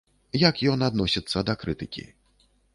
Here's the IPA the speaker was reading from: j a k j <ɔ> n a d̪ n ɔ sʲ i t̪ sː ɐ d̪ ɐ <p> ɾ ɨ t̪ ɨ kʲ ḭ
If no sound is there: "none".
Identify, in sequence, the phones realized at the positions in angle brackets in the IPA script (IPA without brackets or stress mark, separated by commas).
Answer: ɔ, k